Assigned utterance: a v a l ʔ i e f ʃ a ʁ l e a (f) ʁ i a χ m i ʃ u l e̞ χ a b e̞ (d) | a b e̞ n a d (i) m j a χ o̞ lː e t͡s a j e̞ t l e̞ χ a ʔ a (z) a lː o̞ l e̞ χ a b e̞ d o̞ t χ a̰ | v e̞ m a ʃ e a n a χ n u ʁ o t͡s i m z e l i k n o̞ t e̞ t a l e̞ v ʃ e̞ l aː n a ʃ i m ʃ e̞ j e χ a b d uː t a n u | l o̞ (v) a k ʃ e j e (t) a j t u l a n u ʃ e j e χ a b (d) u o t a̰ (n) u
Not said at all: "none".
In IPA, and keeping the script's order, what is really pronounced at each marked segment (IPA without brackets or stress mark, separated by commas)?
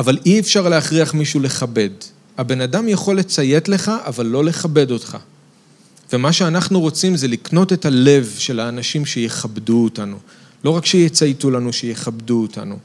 χ, d, a, v, ʁ, t͡s, d, n